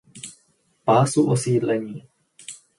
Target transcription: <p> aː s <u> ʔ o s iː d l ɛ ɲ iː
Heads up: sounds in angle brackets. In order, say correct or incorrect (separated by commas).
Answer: correct, correct